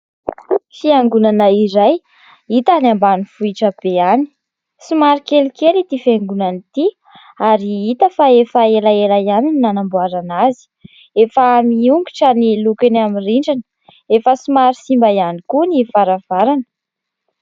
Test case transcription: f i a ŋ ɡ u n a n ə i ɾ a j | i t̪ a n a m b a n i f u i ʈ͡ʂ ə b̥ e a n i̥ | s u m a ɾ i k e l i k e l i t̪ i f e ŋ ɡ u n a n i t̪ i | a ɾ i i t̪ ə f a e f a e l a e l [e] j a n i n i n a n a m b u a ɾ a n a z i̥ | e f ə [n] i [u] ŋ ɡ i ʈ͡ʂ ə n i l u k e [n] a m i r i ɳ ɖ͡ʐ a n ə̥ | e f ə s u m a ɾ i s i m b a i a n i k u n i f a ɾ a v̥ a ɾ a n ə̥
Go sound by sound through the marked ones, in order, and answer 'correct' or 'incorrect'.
incorrect: a, incorrect: m, correct, correct

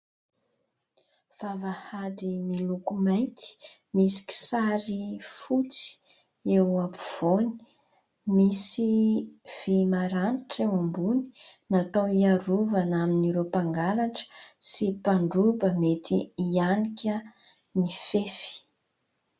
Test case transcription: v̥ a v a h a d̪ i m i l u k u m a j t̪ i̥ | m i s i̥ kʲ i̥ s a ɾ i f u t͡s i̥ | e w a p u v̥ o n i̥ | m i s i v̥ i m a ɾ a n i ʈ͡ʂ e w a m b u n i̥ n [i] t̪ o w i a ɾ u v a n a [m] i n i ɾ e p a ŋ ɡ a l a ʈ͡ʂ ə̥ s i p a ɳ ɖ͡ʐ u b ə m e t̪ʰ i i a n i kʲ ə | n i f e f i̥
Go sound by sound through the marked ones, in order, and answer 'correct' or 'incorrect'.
incorrect: a, correct

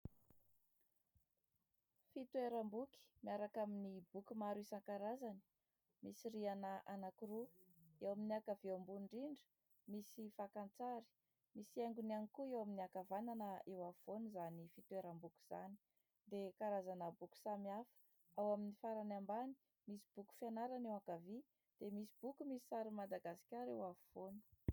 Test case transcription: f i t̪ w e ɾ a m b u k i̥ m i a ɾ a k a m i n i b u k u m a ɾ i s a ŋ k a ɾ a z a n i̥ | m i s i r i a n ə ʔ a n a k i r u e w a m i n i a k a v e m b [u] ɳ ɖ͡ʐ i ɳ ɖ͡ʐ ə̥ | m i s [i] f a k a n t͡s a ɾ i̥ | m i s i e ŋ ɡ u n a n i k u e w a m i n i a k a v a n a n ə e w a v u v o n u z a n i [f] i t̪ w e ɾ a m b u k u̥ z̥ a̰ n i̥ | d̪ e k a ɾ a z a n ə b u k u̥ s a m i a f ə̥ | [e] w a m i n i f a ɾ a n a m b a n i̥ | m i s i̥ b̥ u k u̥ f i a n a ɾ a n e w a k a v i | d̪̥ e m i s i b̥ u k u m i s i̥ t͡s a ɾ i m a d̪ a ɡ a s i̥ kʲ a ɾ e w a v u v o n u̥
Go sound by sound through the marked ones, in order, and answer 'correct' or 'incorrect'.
correct, correct, correct, incorrect: a

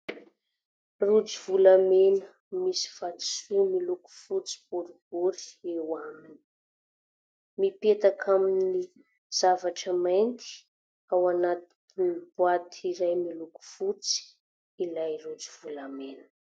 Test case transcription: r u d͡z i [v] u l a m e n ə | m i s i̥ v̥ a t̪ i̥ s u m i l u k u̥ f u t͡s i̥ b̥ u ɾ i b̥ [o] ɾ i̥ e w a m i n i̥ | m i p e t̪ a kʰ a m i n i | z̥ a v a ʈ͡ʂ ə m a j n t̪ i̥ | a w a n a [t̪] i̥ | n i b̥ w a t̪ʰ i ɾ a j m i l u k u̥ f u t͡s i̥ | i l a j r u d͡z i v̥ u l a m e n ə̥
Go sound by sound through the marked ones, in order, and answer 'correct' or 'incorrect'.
correct, incorrect: u, correct

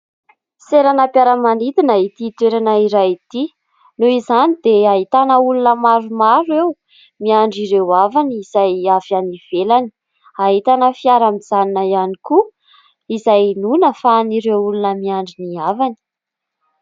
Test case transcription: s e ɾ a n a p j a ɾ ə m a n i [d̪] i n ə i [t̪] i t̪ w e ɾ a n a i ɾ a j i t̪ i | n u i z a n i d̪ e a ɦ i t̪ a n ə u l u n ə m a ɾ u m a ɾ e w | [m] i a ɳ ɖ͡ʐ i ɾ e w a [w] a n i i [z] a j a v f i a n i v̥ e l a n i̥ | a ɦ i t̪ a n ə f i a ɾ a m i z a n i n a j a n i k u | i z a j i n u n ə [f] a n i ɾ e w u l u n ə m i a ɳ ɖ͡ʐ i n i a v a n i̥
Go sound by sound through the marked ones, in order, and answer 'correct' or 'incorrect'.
incorrect: t̪, correct, correct, incorrect: v, correct, correct

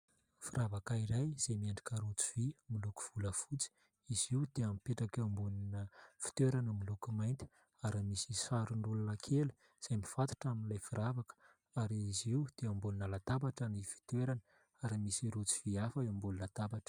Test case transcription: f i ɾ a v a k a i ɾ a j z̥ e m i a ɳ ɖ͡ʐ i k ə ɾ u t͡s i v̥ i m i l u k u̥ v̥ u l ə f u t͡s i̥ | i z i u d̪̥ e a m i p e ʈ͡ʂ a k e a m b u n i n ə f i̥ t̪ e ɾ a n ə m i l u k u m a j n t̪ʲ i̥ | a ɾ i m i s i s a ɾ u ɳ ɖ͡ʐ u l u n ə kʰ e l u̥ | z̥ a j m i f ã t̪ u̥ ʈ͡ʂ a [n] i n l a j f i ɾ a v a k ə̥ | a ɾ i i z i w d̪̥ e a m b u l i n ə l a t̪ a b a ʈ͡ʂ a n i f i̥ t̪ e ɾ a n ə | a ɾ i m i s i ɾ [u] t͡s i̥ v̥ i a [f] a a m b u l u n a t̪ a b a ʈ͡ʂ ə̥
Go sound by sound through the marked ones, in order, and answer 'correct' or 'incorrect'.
incorrect: m, correct, correct

